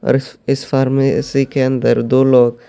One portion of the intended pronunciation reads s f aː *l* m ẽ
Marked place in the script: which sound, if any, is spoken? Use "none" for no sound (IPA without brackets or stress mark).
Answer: ɾ